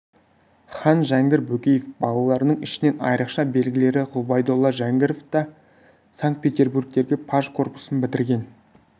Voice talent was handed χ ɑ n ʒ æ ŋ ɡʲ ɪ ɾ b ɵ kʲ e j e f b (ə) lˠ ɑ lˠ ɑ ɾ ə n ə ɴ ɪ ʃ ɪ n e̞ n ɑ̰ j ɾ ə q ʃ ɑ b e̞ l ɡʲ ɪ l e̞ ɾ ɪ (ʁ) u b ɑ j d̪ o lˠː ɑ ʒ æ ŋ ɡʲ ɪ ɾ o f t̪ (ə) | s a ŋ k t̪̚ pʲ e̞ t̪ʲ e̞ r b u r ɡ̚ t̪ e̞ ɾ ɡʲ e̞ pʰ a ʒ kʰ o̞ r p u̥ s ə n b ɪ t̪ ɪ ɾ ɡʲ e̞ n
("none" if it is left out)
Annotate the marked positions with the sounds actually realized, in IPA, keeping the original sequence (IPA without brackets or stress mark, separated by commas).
ɑ, ʁ, ɑ